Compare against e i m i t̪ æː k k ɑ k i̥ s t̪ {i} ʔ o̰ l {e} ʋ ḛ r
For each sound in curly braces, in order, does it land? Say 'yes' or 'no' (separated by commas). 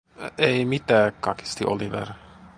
yes, no